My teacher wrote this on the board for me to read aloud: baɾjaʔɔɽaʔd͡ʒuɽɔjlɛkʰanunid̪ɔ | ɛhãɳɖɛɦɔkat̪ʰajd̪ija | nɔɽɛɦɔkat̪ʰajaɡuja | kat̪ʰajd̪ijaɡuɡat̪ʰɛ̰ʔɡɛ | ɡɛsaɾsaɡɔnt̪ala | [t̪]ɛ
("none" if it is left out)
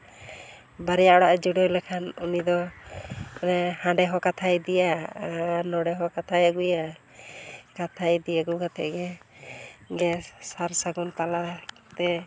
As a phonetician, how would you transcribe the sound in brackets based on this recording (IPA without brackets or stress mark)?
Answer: t̪